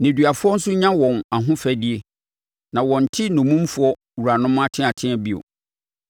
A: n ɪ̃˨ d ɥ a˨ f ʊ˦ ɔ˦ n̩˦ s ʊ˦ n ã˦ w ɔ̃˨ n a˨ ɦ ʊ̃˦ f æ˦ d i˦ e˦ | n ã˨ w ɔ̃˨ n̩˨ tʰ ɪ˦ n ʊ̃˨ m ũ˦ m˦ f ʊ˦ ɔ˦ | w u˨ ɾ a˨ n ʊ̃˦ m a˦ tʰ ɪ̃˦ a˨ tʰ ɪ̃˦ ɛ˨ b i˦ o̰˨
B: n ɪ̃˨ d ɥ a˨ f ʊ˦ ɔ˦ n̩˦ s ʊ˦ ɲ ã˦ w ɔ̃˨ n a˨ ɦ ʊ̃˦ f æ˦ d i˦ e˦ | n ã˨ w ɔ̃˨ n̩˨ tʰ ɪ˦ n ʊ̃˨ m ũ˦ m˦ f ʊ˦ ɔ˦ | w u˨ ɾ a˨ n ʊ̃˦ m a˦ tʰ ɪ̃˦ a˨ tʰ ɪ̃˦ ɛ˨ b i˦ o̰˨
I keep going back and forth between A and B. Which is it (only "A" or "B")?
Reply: B